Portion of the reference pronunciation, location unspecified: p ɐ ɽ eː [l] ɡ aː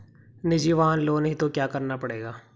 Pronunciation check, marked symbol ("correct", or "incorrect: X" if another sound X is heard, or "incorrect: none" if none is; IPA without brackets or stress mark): incorrect: none